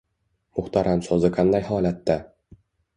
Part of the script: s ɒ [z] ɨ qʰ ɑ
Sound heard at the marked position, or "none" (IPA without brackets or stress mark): z